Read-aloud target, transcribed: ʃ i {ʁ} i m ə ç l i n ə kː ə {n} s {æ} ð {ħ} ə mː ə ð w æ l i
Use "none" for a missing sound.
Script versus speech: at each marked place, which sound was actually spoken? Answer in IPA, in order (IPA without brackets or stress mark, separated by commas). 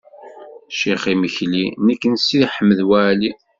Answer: χ, n, i, ħ